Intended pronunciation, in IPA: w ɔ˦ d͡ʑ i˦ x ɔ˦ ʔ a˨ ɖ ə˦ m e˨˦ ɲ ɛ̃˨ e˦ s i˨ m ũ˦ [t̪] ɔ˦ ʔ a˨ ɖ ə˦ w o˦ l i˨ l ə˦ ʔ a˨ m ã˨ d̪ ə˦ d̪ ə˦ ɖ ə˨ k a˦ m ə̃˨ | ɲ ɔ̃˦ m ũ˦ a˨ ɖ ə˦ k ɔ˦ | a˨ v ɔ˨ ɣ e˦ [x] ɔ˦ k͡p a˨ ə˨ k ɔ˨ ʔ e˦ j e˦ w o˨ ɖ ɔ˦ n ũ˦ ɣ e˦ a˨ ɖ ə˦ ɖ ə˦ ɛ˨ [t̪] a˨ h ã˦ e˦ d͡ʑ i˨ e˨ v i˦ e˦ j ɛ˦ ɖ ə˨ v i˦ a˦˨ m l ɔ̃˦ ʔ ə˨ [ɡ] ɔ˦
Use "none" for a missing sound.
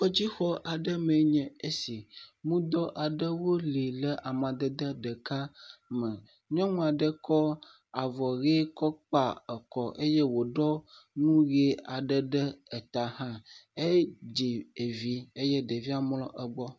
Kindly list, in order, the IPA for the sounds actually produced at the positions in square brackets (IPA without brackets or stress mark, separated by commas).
d̪, k, t̪, ɡ͡b